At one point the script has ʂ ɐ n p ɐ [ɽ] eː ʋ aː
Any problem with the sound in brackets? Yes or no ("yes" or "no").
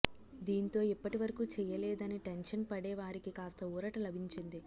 no